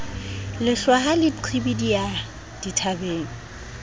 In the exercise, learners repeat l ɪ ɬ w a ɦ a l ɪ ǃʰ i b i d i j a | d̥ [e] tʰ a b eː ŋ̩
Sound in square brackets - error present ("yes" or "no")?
yes